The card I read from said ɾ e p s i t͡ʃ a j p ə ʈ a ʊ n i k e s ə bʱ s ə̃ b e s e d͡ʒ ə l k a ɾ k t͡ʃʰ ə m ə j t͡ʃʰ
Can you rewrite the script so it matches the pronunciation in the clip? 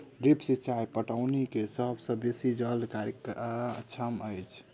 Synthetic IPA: ɾ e p s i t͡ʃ a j p ə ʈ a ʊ n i k e s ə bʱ s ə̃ b e s i d͡ʒ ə l k a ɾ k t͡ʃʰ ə m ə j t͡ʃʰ